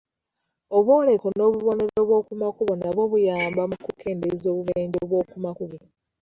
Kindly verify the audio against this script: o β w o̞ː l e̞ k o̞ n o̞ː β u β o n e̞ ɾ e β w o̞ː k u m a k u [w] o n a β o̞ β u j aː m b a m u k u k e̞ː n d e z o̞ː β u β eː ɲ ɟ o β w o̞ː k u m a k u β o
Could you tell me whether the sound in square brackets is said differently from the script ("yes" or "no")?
yes